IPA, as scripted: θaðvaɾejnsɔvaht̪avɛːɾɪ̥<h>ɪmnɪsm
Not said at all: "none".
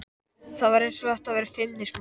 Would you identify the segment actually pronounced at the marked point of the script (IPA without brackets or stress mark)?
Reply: f